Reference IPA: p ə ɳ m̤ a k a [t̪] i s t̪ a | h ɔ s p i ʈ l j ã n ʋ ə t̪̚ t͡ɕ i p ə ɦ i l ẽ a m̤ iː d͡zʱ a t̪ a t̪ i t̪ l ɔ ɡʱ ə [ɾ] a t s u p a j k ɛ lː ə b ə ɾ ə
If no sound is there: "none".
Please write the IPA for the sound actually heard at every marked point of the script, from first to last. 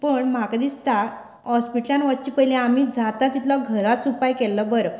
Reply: d̪, ɾ

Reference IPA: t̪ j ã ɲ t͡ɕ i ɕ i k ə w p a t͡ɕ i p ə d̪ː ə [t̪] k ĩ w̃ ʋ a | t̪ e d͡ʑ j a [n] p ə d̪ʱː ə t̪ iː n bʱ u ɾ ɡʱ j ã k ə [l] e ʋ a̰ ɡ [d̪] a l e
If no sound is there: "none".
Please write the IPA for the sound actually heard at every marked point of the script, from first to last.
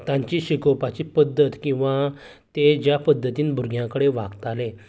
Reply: t̪, none, ɽ, t̪

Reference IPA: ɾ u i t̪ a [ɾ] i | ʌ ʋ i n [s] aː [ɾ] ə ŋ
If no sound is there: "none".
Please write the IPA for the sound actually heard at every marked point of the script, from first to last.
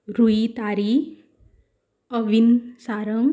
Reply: ɾ, s, ɾ

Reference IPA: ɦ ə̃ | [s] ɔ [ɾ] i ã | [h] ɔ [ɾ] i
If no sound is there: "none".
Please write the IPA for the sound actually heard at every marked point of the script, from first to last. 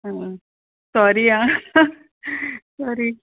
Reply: s, ɾ, s, ɾ

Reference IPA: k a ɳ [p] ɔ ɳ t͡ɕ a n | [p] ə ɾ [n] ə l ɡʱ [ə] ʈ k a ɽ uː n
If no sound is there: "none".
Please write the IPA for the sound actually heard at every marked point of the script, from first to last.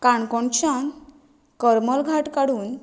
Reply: k, k, m, a

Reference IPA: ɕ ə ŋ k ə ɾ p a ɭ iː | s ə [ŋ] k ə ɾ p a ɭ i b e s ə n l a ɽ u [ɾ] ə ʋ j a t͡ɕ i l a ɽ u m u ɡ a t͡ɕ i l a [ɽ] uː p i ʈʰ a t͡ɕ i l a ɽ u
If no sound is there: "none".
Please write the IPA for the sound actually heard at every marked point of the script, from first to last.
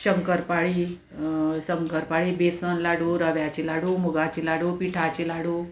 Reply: ŋ, ɾ, ɽ

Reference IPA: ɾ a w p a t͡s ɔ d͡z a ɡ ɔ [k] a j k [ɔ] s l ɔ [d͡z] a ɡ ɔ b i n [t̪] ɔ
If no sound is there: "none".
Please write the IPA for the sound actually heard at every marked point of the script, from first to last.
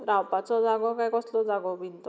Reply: k, ɔ, d͡z, t̪

